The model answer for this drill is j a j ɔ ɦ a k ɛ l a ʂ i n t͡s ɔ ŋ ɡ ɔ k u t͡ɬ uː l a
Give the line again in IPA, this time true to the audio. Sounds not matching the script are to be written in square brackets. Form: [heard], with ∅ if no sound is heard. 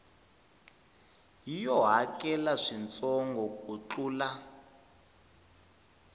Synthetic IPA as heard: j [i] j ɔ ɦ a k ɛ l a ʂ i n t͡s ɔ ŋ ɡ ɔ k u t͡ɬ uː l a